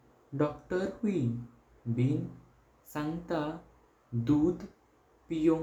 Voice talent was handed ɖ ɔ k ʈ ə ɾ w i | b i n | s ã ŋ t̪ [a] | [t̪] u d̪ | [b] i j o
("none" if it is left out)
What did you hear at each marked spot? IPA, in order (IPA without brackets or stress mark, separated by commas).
a, d̪, p